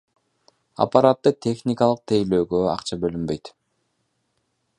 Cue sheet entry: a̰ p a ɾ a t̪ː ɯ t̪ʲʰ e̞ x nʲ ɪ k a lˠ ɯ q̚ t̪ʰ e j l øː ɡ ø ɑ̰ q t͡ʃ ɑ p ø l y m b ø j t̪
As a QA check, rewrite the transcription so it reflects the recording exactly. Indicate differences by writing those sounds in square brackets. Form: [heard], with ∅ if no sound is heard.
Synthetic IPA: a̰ p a ɾ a t̪ː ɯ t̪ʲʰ e̞ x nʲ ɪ k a lˠ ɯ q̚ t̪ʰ e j l øː ɡ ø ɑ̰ q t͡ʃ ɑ [b] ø l y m b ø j t̪